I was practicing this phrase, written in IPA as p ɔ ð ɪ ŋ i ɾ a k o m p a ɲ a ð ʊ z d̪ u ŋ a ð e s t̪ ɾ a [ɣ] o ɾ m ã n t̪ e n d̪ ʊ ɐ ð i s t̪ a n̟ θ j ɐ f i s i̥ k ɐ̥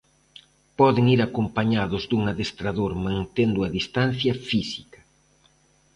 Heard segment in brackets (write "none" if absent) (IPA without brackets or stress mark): ð